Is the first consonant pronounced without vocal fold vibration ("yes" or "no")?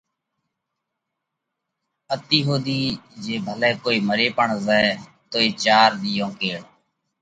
yes